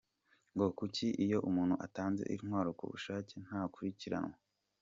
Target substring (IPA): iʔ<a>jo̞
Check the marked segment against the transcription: incorrect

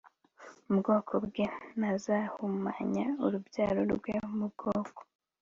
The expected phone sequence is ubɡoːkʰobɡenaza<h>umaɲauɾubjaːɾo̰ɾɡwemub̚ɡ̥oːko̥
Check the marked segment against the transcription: correct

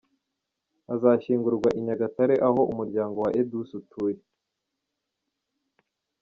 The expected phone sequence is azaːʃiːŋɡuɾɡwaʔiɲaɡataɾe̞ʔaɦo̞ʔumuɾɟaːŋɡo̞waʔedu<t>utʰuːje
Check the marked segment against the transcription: incorrect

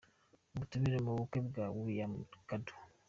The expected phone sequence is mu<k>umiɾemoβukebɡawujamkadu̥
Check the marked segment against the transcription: incorrect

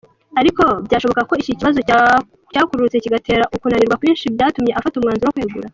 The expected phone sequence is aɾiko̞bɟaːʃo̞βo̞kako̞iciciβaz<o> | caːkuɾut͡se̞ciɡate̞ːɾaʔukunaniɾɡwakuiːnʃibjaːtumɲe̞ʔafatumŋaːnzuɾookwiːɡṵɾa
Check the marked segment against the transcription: correct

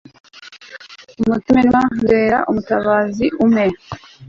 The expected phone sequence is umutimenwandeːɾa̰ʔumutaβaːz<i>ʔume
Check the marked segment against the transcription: correct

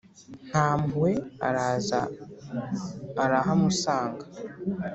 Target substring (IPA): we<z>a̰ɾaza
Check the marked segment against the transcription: incorrect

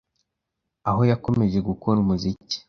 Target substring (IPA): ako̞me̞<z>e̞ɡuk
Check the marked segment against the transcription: incorrect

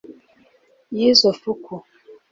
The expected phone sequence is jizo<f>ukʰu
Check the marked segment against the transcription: correct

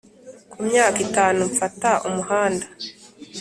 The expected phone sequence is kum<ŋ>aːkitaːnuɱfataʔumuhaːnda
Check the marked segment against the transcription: incorrect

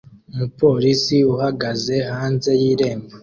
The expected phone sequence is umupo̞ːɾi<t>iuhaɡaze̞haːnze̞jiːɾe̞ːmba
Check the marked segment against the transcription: incorrect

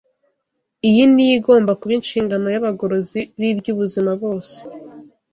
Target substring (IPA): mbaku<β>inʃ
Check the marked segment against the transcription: correct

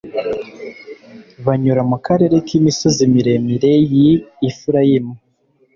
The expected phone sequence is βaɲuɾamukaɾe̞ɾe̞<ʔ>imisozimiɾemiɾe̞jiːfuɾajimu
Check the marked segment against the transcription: incorrect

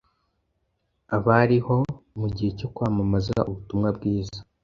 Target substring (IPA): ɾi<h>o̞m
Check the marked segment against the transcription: correct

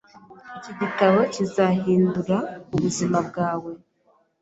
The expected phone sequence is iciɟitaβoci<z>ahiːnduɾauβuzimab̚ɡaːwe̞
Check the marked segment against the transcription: correct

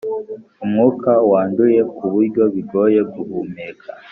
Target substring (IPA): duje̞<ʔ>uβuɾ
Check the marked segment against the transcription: incorrect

